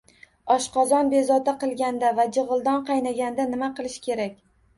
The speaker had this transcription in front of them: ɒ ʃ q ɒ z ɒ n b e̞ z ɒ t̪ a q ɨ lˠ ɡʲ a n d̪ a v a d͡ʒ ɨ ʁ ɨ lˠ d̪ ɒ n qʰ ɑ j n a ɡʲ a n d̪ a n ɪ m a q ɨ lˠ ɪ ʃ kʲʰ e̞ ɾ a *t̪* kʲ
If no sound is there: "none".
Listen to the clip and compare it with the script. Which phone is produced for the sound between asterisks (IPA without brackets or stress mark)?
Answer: none